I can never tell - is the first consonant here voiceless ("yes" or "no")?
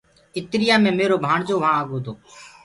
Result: yes